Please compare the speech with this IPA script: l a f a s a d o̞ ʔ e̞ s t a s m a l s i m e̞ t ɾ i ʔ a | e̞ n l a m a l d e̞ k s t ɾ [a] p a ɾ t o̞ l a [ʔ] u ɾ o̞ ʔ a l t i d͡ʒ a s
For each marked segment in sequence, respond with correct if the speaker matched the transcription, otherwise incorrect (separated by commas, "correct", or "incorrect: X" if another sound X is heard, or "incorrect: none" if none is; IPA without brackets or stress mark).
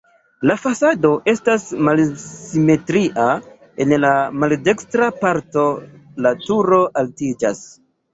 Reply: correct, incorrect: t